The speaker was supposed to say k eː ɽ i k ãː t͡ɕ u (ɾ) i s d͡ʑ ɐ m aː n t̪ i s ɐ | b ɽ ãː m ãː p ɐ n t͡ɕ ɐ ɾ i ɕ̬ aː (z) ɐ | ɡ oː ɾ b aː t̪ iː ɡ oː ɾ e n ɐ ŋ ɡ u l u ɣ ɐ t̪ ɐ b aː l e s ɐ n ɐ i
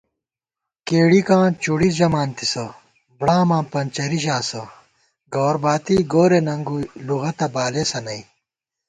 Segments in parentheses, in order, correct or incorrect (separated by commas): incorrect, incorrect